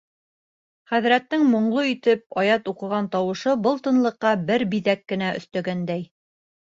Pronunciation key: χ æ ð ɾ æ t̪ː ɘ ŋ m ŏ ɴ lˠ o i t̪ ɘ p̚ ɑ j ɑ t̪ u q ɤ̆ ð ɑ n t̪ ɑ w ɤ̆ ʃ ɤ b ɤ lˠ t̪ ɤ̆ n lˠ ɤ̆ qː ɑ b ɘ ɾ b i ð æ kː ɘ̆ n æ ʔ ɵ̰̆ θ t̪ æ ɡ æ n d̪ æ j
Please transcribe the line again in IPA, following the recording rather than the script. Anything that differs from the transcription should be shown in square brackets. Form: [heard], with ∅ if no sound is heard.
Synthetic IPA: χ æ ð ɾ æ t̪ː ɘ ŋ m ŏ ɴ lˠ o i t̪ ɘ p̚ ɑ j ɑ t̪ u q ɤ̆ [ʁ] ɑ n t̪ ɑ w ɤ̆ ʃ ɤ b ɤ lˠ t̪ ɤ̆ n lˠ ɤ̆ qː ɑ b ɘ ɾ b i ð æ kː ɘ̆ n æ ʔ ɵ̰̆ θ t̪ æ ɡ æ n d̪ æ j